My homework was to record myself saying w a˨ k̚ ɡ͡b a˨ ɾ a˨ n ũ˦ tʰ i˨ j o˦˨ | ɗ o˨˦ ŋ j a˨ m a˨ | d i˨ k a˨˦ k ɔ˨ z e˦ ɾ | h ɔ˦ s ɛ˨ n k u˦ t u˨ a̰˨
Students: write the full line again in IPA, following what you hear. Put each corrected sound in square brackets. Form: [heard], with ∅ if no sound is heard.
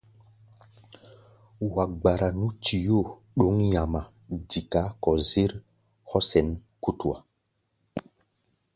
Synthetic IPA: w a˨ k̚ ɡ͡b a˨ ɾ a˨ n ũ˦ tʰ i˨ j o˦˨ | ɗ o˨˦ ŋ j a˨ m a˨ | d i˨ k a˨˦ k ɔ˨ z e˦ ɾ | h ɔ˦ s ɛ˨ n k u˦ t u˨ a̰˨

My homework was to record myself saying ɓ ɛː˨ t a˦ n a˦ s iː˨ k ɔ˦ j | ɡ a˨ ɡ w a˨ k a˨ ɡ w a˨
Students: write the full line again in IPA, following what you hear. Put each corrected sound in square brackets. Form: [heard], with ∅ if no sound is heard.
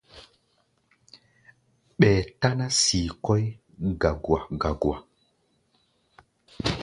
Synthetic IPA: ɓ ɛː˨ t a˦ n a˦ s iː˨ k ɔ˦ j | ɡ a˨ ɡ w a˨ [ɡ] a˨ ɡ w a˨

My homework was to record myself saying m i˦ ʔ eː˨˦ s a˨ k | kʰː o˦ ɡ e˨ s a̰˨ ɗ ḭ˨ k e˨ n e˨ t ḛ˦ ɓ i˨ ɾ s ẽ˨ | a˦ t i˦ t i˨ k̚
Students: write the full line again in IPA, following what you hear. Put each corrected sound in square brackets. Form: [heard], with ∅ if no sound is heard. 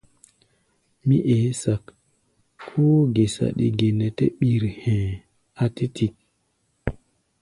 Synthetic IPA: m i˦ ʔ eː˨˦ s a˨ k | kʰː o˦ ɡ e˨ s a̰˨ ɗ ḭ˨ [ɡ] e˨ n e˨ t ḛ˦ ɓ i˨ ɾ [h] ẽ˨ | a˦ t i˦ t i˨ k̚

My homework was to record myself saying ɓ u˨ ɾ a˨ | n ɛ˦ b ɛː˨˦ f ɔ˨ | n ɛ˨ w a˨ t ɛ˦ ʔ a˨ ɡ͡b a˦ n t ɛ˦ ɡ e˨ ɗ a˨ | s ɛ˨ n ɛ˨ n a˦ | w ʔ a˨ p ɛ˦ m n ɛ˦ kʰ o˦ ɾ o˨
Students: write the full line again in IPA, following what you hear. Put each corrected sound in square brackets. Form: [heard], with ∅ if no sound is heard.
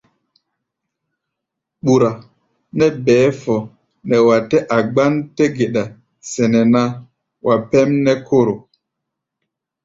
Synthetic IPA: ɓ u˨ ɾ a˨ | n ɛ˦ b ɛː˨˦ f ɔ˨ | n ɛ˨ w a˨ t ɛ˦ ʔ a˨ ɡ͡b a˦ n t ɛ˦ ɡ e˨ ɗ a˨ | s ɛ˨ n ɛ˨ n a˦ | w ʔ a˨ p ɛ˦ m n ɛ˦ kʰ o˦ ɾ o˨

